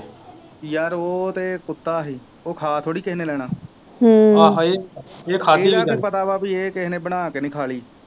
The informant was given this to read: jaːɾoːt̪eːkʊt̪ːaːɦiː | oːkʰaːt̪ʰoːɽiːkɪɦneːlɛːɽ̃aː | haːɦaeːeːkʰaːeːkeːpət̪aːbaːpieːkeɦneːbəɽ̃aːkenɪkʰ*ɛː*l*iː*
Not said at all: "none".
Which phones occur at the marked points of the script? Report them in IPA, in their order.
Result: aː, iː

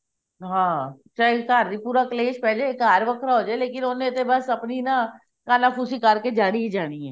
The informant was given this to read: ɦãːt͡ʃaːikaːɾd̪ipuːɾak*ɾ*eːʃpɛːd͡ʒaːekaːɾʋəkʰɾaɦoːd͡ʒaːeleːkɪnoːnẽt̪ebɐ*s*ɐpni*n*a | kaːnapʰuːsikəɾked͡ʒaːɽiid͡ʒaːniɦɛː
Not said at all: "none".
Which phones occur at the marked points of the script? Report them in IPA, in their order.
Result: l, s, n

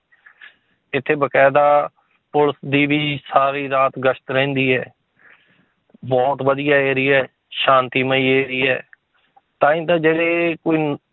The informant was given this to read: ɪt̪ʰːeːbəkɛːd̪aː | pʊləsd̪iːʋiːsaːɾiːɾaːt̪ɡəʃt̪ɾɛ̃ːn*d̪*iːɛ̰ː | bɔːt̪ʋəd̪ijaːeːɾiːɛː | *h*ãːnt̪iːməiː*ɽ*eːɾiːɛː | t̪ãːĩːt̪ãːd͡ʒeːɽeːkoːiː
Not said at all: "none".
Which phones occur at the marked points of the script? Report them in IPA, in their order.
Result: d̪, ʃ, none

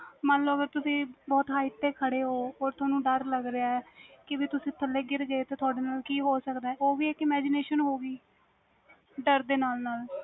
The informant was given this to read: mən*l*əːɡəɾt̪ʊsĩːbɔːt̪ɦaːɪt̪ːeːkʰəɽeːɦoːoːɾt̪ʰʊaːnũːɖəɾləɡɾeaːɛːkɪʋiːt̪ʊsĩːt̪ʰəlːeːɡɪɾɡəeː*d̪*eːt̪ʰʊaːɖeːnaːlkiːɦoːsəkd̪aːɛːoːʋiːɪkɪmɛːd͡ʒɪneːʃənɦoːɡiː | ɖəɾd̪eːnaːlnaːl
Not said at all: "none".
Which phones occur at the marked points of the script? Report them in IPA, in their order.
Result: l, t̪

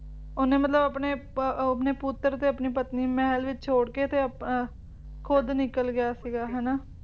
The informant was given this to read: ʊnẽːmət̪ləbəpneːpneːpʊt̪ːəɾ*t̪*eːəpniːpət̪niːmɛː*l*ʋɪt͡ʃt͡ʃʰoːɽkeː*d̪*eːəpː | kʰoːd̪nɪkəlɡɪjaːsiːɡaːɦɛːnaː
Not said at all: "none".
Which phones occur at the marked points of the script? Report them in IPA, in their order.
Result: t̪, l, t̪

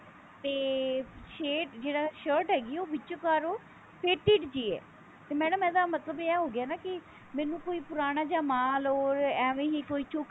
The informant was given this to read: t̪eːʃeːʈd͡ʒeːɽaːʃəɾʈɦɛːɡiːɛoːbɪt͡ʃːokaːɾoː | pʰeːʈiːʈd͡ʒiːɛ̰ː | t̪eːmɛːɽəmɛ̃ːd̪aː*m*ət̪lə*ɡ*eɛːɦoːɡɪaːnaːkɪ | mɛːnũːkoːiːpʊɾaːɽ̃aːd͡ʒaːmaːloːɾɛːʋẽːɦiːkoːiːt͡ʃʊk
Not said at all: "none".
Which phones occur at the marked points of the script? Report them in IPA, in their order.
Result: m, b

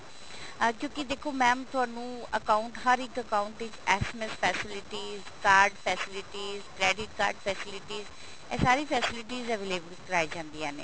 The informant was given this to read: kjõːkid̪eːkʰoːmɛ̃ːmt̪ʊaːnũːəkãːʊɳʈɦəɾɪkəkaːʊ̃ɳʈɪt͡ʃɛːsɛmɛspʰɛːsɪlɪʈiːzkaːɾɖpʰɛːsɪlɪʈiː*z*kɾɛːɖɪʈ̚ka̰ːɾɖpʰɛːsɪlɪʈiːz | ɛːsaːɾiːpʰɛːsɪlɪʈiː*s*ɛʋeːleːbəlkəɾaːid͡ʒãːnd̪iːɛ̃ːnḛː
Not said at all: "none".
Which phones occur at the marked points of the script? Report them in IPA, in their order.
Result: z, z

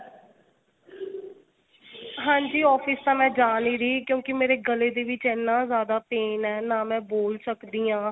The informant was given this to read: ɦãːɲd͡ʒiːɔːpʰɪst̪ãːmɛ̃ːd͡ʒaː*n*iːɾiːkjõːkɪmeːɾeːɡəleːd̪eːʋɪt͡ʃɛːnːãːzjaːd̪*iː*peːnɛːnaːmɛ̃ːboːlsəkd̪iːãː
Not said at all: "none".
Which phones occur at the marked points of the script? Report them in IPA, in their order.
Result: n, aː

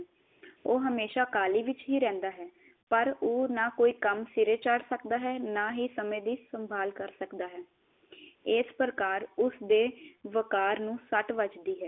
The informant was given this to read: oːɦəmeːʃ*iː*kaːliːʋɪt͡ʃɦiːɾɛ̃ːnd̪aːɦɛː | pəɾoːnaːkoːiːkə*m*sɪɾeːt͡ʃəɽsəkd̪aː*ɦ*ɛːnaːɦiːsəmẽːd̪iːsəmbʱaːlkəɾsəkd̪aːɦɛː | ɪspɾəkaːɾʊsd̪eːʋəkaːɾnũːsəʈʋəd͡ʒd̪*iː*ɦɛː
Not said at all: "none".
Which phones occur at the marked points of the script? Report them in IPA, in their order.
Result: aː, m, ɦ, iː

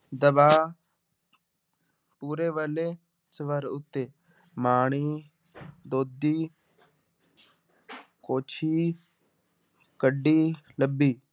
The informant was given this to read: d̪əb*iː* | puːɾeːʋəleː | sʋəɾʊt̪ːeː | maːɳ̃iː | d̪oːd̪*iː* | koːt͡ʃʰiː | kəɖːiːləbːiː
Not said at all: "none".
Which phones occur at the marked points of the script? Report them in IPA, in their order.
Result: aː, iː

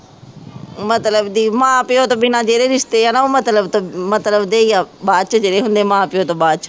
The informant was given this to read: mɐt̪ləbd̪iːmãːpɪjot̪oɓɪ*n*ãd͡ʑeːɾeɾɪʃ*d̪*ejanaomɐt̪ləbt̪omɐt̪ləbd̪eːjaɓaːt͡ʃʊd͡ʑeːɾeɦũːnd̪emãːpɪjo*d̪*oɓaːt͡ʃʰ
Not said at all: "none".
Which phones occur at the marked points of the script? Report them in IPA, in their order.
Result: n, t̪, t̪

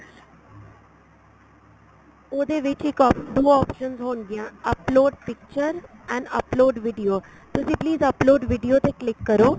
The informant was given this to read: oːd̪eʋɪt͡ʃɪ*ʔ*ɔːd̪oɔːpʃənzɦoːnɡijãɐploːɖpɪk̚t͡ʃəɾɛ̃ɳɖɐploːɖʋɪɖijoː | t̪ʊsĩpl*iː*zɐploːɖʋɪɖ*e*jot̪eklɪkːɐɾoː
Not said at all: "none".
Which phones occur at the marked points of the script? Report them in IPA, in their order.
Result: k, iː, i

